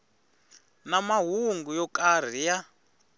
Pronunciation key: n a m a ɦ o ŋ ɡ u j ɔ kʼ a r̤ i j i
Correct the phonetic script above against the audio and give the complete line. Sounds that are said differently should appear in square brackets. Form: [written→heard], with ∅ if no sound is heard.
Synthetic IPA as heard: n a m a ɦ [o→u] ŋ ɡ u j ɔ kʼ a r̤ i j [i→a]